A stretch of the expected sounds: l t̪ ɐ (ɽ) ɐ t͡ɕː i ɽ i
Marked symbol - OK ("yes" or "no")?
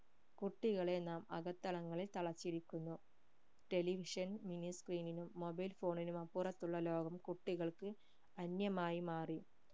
no